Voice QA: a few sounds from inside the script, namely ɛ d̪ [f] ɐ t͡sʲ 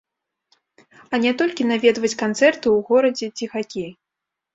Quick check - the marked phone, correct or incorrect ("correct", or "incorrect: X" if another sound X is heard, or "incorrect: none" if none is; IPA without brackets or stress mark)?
incorrect: v